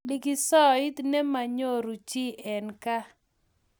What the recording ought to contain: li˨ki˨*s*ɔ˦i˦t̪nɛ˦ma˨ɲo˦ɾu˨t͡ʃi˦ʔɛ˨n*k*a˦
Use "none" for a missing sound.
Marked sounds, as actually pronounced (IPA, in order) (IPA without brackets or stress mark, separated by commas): s, k